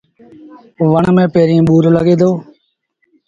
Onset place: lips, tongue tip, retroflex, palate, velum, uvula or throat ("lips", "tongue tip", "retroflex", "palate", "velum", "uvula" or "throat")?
lips